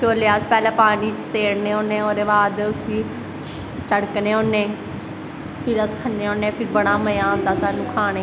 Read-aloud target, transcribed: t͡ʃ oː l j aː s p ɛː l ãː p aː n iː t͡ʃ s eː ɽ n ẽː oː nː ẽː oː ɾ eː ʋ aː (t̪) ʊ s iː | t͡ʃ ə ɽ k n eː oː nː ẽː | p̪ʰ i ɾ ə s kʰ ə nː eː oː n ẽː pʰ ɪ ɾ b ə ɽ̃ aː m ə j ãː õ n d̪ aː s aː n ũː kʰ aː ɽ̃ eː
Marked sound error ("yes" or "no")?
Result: yes